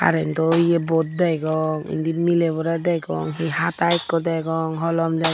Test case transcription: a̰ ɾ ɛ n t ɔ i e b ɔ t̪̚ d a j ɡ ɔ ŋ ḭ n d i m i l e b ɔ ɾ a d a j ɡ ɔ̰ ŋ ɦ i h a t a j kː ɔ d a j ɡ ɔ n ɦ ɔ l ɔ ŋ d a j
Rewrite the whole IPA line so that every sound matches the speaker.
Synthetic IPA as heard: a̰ ɾ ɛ n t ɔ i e b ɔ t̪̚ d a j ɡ ɔ ŋ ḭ n d i m i l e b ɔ ɾ a d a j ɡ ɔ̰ ŋ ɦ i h a t a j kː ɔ d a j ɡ ɔ ŋ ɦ ɔ l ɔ m d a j